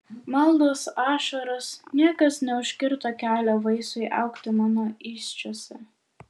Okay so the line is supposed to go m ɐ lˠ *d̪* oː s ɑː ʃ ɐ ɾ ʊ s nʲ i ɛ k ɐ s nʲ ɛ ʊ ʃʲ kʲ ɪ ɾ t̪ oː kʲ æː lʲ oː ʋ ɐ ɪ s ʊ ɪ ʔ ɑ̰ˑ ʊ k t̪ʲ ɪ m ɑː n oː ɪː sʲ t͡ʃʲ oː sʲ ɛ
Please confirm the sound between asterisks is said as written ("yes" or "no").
yes